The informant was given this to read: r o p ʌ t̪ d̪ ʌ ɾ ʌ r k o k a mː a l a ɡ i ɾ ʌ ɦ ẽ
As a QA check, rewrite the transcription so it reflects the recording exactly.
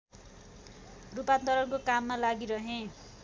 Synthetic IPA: r u p a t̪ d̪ ʌ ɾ ʌ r k o k a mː a l a ɡ i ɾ ʌ ɦ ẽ